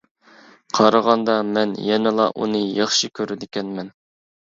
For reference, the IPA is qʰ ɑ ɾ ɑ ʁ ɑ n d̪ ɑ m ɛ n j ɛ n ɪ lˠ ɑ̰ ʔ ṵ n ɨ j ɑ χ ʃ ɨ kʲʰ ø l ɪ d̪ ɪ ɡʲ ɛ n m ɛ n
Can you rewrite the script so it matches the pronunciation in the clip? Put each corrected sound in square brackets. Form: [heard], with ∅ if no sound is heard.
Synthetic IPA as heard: qʰ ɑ ɾ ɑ ʁ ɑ n d̪ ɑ m ɛ n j ɛ n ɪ lˠ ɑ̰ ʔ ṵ n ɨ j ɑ χ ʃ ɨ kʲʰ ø [ɾ] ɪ d̪ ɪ [kʲ] ɛ n m ɛ n